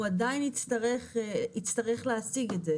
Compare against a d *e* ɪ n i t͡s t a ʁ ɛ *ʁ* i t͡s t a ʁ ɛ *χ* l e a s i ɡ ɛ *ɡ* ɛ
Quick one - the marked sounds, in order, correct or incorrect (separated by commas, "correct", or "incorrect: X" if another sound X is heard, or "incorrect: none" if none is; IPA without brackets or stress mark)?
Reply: incorrect: a, incorrect: χ, correct, incorrect: d